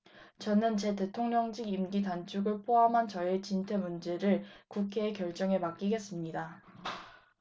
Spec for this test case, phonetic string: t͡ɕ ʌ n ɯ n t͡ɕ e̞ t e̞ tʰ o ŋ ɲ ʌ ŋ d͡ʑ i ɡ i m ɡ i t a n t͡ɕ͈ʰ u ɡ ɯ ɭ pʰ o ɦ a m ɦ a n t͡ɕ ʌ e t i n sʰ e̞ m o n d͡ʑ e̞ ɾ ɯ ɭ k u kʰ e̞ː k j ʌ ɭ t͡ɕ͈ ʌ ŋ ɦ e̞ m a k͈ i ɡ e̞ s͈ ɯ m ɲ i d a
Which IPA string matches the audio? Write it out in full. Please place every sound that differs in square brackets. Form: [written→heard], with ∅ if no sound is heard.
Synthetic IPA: t͡ɕ ʌ n ɯ n t͡ɕ e̞ t e̞ tʰ o ŋ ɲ ʌ ŋ d͡ʑ i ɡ i m ɡ i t a n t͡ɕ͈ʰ u ɡ ɯ ɭ pʰ o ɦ a m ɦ a n t͡ɕ ʌ e [t→t͡ɕ] i n [sʰ→tʰ] e̞ m [o→u] n d͡ʑ e̞ ɾ ɯ ɭ k u kʰ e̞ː k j ʌ ɭ t͡ɕ͈ ʌ ŋ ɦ e̞ m a k͈ i ɡ e̞ s͈ ɯ m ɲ i d a